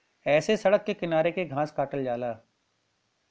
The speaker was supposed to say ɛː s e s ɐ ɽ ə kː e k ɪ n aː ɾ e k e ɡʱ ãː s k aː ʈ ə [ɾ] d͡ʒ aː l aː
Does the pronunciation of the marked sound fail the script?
yes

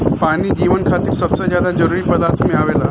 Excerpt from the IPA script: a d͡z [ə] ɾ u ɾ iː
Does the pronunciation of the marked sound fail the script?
no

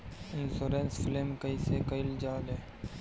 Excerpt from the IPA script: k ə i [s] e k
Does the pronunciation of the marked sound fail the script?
no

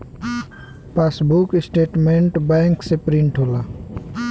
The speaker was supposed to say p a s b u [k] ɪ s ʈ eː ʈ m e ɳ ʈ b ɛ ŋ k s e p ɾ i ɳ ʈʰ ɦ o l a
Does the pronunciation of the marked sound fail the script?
no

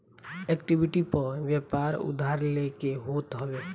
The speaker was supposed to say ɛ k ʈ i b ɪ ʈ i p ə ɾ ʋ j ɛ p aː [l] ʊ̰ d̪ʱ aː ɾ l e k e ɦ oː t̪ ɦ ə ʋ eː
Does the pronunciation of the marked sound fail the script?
yes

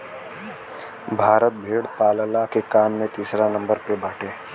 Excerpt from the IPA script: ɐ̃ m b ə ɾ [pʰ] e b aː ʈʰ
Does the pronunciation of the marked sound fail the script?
yes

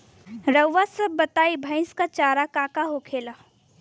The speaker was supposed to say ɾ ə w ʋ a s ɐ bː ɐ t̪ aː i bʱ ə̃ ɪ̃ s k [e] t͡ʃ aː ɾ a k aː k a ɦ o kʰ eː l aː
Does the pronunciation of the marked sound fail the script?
yes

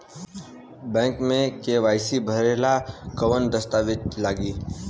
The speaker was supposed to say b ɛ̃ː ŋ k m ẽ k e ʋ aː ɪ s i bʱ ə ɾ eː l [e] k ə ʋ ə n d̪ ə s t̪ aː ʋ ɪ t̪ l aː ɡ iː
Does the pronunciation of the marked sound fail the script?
yes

